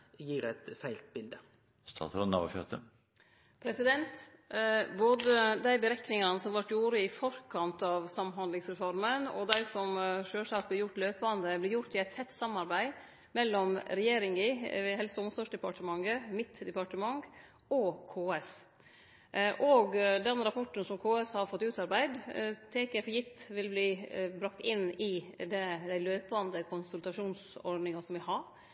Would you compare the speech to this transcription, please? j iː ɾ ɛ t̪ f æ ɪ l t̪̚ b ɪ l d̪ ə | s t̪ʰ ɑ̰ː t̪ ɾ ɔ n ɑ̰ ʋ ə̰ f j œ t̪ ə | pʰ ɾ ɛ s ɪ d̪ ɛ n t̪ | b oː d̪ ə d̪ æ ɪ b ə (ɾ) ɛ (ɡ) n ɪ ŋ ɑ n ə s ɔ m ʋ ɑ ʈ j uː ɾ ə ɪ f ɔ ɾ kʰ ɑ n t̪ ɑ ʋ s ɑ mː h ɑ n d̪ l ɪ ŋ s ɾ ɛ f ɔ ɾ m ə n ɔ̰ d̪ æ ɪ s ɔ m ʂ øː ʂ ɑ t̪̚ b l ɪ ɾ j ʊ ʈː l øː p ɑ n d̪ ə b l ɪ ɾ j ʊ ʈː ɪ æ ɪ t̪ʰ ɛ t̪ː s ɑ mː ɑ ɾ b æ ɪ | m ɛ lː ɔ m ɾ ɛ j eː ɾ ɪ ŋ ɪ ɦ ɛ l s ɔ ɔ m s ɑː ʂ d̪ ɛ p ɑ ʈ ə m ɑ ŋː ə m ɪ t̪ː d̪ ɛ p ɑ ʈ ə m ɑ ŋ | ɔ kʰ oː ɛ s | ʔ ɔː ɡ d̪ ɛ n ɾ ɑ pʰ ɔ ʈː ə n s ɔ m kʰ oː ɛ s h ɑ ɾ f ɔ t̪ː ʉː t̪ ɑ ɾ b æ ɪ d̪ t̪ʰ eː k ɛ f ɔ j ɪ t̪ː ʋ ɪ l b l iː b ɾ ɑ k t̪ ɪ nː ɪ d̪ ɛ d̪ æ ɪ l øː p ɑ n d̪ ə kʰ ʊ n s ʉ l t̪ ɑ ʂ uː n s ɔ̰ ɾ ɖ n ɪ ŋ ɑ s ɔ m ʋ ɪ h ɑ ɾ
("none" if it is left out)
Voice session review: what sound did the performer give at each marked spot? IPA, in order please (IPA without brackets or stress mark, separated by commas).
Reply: ɾ, k